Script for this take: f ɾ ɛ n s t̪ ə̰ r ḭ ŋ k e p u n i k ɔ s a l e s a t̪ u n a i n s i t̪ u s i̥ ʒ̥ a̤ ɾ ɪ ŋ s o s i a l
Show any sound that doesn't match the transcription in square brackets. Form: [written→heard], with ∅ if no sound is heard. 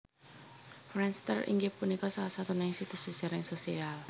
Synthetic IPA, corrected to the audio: f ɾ ɛ n s t̪ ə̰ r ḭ ŋ [k→ɡ] e p u n i k ɔ s a l [e→a] s a t̪ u n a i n s i t̪ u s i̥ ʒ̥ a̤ ɾ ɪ ŋ s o s i a l